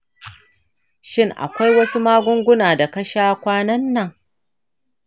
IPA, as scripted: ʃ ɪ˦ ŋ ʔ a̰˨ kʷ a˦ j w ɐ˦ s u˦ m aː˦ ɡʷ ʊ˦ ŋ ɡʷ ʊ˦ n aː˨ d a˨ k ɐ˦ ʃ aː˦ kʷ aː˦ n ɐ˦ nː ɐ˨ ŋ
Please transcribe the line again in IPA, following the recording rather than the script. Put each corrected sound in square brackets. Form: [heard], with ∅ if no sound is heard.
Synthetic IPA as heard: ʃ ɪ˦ ŋ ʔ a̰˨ kʷ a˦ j w ɐ˦ s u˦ m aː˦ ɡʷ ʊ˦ ŋ ɡʷ ʊ˦ n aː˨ d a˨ k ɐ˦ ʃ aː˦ kʷ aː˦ n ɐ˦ nː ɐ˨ ŋ